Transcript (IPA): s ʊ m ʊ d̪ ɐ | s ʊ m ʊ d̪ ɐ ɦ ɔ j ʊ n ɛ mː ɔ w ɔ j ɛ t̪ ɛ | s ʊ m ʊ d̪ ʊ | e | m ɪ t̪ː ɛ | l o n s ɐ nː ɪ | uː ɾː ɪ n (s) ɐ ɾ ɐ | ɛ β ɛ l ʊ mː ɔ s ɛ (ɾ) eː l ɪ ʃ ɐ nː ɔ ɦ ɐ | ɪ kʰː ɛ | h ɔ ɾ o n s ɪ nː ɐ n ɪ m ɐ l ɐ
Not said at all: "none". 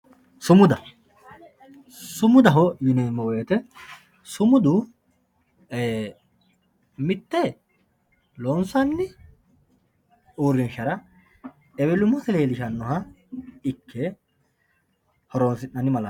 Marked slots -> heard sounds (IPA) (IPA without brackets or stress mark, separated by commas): ʃ, l